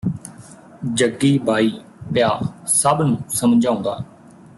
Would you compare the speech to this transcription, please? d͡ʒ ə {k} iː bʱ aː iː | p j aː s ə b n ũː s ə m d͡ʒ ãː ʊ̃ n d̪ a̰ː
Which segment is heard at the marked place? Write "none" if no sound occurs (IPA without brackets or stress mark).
ɡ